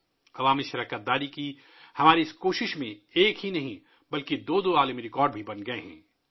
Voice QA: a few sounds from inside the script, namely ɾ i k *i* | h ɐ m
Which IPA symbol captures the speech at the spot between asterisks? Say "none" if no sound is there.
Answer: i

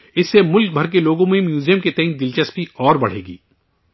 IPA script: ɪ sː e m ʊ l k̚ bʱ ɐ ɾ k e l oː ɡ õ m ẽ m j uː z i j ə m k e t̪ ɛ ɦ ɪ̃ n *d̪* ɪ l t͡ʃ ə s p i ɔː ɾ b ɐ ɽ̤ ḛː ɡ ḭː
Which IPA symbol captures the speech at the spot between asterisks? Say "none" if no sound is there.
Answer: d̪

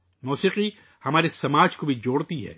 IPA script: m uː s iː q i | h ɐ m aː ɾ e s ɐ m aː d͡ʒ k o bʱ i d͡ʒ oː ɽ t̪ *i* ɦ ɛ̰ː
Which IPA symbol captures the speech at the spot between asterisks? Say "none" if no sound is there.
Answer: i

